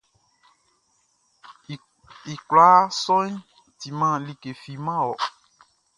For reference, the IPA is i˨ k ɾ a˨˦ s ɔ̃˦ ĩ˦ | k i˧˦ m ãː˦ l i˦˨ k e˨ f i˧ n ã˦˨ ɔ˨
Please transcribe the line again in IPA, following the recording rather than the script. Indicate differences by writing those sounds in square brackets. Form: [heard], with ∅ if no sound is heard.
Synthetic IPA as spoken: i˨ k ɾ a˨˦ s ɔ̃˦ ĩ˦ | [t] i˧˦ m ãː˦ l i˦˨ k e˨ f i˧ [m] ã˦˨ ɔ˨